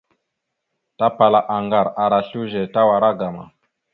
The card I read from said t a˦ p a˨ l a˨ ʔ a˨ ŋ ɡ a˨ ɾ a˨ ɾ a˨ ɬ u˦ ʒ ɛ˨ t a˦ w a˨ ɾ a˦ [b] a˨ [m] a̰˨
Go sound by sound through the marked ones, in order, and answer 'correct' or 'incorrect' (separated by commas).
incorrect, correct